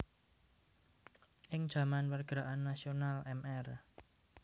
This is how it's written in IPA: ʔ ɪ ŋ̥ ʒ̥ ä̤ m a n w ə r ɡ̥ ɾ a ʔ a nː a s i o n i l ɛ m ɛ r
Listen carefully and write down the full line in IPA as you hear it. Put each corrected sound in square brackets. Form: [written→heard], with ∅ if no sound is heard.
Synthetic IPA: ʔ ɪ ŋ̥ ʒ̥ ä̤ m a n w ə r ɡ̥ ɾ a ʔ a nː a s i o n [i→a] l ɛ m ɛ r